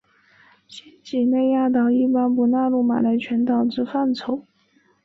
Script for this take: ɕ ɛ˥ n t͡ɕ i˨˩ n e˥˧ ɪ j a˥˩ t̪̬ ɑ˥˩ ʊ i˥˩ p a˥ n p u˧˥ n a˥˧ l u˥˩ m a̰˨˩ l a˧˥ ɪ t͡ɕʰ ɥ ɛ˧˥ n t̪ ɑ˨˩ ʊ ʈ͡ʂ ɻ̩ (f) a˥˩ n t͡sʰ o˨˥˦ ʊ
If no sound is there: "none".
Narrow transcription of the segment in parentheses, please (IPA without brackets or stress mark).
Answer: f